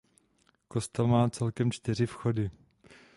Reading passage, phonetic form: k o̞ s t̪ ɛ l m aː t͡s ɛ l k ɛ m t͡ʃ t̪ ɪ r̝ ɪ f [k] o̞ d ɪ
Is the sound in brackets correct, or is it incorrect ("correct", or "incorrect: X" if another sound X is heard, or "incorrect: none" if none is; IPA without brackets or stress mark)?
incorrect: x